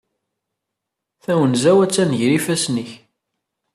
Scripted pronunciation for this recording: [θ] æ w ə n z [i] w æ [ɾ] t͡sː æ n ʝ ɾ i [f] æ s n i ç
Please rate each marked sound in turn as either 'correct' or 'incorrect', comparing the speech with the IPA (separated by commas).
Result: correct, incorrect, incorrect, correct